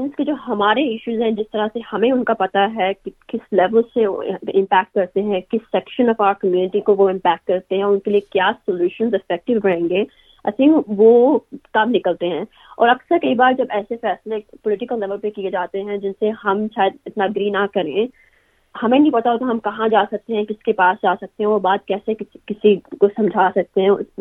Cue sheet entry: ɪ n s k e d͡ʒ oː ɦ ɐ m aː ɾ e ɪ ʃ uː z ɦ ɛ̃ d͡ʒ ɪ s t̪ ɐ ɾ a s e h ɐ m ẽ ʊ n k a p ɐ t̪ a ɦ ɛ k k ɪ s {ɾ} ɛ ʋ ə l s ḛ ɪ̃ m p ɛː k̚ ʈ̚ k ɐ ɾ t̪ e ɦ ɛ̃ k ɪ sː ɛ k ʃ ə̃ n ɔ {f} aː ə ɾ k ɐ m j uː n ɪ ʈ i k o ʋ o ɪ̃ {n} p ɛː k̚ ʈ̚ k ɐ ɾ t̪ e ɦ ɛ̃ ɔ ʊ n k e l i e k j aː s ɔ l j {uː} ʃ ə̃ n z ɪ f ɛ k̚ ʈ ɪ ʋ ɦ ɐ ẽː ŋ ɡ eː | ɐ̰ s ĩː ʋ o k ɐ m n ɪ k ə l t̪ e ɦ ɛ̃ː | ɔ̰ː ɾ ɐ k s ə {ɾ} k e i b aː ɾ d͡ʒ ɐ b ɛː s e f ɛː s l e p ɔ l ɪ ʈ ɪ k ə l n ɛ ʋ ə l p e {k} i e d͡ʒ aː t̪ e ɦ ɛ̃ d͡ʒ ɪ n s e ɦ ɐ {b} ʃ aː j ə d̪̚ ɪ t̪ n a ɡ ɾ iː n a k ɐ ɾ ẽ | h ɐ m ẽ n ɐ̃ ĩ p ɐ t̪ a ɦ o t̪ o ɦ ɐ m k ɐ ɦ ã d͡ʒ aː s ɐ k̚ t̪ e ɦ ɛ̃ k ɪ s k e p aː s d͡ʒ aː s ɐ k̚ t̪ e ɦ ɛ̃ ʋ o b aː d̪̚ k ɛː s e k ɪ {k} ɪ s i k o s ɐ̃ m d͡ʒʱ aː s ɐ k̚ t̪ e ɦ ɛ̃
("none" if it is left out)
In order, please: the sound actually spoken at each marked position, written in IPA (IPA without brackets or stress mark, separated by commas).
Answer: l, f, m, uː, ɾ, k, m, k